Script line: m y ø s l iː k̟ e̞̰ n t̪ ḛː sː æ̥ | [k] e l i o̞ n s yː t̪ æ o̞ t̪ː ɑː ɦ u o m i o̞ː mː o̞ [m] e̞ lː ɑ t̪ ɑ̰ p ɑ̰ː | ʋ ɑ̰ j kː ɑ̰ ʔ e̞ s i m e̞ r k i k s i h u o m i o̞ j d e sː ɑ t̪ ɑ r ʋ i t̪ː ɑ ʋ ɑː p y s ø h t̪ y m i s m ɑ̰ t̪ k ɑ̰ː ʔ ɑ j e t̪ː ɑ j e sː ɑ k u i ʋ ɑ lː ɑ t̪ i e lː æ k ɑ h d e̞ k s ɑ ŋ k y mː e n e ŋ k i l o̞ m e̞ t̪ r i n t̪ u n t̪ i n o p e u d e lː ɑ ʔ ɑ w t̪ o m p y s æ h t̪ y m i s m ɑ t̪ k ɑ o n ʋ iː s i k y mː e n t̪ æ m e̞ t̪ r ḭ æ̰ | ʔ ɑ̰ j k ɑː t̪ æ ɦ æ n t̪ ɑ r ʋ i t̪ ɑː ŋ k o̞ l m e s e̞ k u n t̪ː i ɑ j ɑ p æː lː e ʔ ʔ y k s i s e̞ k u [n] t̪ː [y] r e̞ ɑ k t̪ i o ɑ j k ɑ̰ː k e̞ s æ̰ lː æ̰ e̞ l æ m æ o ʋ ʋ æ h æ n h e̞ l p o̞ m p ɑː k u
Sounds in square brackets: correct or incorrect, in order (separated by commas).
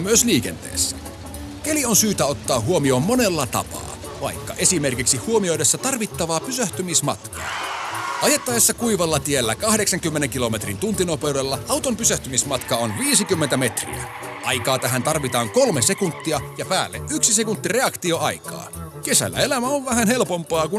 correct, incorrect, correct, incorrect